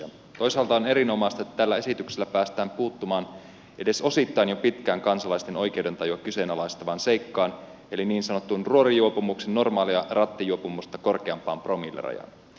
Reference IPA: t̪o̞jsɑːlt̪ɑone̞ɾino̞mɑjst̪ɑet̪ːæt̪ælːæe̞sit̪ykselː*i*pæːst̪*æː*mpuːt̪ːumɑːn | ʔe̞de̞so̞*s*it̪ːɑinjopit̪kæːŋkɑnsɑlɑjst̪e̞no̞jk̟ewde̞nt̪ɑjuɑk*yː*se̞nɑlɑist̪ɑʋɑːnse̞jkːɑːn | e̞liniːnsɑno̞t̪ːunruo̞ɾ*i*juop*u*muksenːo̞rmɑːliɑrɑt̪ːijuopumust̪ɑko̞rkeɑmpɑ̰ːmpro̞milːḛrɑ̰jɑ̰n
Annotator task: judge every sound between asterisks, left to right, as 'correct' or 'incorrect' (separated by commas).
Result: incorrect, correct, correct, incorrect, correct, correct